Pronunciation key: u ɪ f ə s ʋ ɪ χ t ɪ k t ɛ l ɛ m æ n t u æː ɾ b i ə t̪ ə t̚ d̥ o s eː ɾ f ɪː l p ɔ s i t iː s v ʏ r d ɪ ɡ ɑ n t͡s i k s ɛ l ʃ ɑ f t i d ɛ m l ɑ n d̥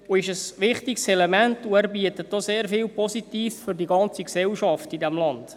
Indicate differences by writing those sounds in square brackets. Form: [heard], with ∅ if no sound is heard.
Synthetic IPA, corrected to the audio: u ɪ [ʃ] ə s ʋ ɪ χ t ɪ k [s] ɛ l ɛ m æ n t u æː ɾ b i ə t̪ ə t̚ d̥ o s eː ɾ f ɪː l p ɔ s i t iː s [f] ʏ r d [i] ɡ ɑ n t͡s i k s ɛ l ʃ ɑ f t i d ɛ m l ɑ n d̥

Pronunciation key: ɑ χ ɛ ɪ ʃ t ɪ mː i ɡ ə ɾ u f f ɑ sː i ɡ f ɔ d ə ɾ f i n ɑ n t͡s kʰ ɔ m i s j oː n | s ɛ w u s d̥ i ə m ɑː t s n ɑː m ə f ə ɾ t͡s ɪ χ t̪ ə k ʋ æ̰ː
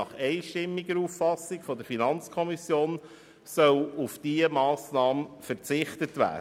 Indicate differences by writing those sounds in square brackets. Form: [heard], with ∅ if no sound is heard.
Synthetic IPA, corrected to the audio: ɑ χ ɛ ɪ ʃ t ɪ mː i ɡ ə ɾ u f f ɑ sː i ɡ f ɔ d ə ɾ f i n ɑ n t͡s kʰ ɔ m i s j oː n | s [œ] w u [f] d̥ i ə m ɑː [∅] s n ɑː m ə f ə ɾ t͡s ɪ χ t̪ ə [t] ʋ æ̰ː

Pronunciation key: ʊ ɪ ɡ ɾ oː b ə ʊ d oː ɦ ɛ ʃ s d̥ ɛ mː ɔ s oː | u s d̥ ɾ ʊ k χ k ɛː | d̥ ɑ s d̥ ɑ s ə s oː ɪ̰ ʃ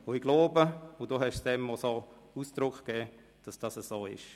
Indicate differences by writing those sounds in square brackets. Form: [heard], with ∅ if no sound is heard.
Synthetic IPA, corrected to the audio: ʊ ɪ ɡ [l] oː b ə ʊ d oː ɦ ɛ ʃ s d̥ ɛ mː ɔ s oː | u s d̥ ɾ ʊ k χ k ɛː | d̥ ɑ s d̥ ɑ s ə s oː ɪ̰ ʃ

